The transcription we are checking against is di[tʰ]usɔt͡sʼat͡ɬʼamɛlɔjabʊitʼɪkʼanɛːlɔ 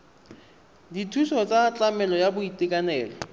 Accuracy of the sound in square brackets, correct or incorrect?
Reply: correct